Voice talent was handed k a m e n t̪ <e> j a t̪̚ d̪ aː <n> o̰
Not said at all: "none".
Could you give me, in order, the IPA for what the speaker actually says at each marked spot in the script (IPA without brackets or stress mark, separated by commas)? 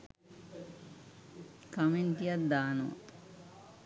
i, n